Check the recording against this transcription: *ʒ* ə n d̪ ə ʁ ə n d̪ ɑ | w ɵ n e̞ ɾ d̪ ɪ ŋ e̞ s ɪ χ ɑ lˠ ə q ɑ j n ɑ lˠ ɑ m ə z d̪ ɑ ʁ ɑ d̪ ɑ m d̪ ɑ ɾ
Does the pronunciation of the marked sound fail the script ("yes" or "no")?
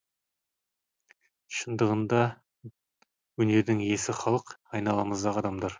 yes